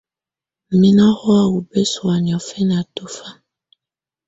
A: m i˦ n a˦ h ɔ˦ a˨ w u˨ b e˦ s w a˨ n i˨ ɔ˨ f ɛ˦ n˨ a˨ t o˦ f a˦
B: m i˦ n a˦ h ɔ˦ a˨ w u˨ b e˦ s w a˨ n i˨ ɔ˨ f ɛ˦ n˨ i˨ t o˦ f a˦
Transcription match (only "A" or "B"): A